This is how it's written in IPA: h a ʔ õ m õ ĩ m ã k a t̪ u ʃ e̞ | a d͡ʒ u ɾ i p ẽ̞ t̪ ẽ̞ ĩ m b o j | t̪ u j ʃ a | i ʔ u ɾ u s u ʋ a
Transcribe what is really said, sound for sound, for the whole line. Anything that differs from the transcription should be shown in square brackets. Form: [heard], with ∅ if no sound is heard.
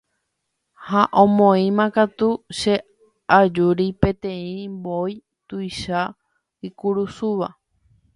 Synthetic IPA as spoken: h a ʔ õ m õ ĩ m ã k a t̪ u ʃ e̞ | a d͡ʒ u ɾ i p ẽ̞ t̪ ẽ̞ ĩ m b o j | t̪ u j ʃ a | i [k] u ɾ u s u ʋ a